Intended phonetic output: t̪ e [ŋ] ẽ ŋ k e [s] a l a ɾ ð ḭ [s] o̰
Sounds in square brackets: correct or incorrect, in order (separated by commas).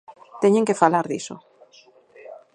incorrect, incorrect, correct